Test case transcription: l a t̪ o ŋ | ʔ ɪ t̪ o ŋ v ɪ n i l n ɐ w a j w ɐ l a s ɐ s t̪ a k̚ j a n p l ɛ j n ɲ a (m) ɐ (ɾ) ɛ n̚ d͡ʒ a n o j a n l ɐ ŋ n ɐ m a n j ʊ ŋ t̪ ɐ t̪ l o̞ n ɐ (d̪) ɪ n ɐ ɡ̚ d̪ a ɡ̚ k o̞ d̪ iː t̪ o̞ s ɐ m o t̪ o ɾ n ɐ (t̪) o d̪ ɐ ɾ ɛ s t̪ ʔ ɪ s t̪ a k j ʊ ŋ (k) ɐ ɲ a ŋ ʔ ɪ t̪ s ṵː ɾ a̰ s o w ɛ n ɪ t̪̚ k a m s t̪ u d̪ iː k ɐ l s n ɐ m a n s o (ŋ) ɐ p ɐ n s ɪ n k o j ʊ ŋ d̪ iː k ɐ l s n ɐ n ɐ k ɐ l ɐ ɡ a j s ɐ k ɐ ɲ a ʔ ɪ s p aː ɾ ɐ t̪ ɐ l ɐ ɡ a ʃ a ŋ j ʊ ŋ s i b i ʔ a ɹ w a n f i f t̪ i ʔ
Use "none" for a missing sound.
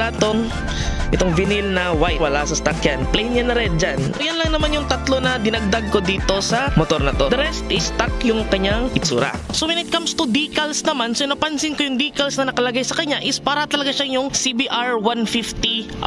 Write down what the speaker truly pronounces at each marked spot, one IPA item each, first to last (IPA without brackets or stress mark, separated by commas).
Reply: n, ɾ, d̪, t̪, k, n